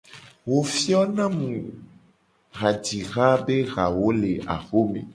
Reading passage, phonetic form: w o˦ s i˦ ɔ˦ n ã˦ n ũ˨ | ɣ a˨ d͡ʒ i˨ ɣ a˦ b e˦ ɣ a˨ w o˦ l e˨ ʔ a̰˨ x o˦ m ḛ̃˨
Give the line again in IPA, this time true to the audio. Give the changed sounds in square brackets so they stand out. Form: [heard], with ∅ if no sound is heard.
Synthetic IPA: w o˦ [f] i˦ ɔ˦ n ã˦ [m] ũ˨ | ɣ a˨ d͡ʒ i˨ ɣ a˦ b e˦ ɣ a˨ w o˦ l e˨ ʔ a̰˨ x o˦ m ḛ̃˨

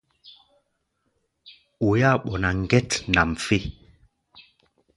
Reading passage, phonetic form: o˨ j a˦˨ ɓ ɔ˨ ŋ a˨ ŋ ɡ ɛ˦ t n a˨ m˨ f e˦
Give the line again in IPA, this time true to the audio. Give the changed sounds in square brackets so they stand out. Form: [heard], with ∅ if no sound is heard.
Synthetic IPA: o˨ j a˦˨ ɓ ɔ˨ [n] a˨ ŋ ɡ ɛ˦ t n a˨ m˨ f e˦

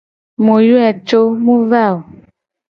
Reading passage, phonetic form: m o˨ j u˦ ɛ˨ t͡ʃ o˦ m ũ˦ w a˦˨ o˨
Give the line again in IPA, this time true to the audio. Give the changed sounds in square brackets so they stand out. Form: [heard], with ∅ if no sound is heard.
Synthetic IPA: m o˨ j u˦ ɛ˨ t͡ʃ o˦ m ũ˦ [v] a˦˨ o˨

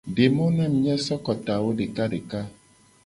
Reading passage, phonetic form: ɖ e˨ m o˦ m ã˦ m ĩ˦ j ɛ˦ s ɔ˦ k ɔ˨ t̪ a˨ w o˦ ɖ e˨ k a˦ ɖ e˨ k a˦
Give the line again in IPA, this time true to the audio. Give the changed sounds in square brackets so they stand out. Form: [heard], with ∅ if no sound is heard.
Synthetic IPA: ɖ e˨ m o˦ [n] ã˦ m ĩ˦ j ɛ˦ s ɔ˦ k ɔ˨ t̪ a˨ w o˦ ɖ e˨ k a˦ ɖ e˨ k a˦

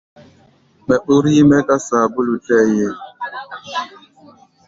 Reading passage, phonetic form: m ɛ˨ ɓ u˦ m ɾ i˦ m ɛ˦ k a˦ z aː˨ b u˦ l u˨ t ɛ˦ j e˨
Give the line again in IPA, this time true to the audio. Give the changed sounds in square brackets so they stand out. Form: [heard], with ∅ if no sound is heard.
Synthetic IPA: m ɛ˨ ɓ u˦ [∅] ɾ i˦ m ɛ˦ k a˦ [s] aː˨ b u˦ l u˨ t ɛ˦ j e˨

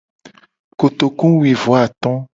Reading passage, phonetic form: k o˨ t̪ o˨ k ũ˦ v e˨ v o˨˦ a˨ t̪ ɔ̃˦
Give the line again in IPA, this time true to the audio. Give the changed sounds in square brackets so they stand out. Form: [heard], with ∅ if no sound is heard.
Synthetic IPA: k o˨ t̪ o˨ k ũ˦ [w] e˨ v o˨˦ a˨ t̪ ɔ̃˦

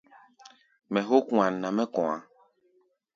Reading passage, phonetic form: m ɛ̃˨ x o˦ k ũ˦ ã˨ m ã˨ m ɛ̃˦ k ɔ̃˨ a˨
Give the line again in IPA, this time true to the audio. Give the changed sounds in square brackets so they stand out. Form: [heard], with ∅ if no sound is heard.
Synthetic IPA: m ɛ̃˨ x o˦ k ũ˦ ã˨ [n] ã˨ m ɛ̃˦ k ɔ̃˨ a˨

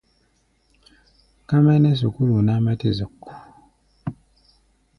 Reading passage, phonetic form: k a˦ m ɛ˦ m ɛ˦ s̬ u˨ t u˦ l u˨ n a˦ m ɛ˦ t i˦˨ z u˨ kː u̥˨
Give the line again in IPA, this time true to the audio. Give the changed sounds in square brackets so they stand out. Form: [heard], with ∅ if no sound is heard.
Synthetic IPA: k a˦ m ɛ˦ [n] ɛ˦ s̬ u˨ [k] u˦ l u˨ n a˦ m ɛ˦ t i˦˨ z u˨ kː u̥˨

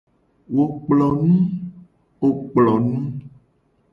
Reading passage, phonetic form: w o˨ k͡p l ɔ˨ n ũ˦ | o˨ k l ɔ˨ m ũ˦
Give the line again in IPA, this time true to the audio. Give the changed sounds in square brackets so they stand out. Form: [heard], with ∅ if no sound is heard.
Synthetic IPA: w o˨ k͡p l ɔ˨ n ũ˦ | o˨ [k͡p] l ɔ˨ [n] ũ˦

